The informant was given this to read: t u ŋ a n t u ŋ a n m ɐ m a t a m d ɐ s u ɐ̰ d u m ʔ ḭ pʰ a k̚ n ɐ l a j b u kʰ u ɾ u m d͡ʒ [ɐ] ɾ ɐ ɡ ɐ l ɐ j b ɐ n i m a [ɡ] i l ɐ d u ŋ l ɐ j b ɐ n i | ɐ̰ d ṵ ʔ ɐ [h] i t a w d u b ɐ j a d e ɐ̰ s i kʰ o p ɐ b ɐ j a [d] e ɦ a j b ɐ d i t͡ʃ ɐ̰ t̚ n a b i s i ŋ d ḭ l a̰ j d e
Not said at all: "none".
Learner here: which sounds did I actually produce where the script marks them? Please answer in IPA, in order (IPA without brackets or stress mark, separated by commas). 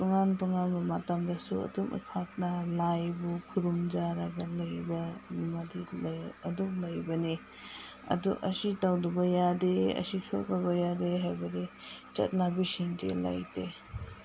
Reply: a, d, s, d